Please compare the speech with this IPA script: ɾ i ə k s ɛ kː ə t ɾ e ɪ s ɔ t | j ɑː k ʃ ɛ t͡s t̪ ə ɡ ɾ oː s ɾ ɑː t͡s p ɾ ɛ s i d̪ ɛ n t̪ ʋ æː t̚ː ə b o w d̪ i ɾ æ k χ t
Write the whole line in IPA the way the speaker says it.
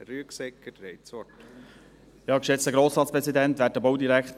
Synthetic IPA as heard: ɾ y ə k s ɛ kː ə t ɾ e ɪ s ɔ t | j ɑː k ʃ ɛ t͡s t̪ ə ɡ ɾ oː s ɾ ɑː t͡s p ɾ ɛ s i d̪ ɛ n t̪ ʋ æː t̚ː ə b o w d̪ i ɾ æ k χ t